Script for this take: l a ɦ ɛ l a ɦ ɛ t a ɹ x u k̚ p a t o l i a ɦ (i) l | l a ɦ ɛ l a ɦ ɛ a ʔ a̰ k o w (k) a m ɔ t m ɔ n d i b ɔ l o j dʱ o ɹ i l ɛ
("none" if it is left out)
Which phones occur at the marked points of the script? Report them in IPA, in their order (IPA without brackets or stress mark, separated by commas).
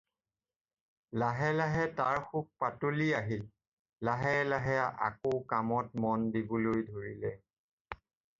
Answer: i, k